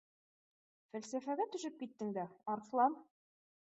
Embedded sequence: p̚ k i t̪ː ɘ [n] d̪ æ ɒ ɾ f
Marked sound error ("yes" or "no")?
yes